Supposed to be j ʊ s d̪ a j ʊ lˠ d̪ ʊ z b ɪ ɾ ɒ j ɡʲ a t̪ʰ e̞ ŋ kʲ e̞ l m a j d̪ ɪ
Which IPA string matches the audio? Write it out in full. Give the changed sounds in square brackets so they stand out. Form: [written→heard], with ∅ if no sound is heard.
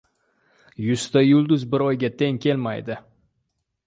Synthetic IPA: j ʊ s [d̪→t̪] a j ʊ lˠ d̪ ʊ z b ɪ ɾ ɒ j ɡʲ a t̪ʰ e̞ ŋ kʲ e̞ l m a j d̪ ɪ